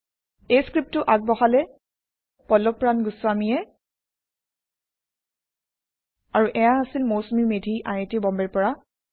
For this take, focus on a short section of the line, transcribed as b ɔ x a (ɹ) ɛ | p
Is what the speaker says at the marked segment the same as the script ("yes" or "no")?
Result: no